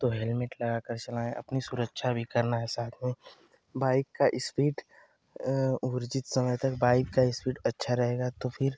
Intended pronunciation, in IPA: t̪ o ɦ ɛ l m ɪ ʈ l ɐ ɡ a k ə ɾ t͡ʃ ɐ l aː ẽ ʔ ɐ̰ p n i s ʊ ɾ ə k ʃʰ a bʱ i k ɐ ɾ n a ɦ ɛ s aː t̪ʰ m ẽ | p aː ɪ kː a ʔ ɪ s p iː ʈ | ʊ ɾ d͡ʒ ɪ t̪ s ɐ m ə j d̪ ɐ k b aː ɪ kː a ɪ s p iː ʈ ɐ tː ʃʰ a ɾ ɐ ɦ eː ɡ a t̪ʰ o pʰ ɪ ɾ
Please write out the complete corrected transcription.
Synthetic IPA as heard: t̪ o ɦ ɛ l m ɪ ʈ l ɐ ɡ a k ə ɾ t͡ʃ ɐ l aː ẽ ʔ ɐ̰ p n i s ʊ ɾ ə k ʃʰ a bʱ i k ɐ ɾ n a ɦ ɛ s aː t̪ʰ m ẽ | b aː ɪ kː a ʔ ɪ s p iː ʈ | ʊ ɾ d͡ʒ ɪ t̪ s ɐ m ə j t̪ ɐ k b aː ɪ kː a ɪ s p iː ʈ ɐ tː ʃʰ a ɾ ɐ ɦ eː ɡ a t̪ o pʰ ɪ ɾ